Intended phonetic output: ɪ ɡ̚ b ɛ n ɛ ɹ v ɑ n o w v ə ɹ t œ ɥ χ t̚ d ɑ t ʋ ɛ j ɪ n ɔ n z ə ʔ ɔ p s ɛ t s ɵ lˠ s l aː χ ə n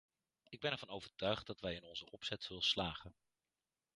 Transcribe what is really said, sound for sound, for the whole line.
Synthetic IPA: ɪ ɡ̚ b ɛ n ɛ ɹ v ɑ n o w v ə ɹ t œ ɥ χ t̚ d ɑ t ʋ ɛ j ɪ n ɔ n z ə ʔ ɔ p s ɛ t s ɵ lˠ s l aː χ ə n